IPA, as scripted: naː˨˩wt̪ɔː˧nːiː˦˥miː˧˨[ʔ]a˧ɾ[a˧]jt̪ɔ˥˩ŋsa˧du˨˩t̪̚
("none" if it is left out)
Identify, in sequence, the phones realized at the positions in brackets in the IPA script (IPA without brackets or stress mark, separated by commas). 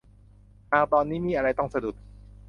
ʔ, a˧